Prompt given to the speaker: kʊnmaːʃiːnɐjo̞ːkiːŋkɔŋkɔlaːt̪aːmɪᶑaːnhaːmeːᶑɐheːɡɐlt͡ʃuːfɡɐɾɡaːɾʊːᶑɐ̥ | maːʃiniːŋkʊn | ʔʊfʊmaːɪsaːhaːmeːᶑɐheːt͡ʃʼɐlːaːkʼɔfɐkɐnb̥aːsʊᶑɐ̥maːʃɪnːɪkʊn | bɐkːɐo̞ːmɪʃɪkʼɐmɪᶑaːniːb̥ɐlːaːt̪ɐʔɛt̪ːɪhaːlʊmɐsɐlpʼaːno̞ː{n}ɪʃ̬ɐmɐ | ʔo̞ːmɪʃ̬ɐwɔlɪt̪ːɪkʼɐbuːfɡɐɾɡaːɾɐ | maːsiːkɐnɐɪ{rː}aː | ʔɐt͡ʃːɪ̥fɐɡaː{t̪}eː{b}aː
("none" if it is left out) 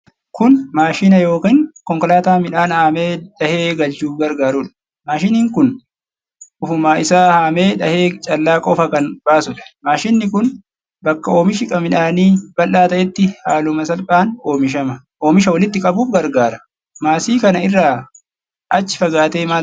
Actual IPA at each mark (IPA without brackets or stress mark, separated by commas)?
m, rː, t̪, m